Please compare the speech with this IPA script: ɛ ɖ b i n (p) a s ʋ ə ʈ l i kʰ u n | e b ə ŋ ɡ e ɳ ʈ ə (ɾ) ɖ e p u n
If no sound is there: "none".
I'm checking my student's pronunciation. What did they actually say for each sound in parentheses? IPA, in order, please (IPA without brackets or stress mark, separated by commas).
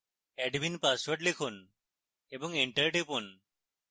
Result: p, ɾ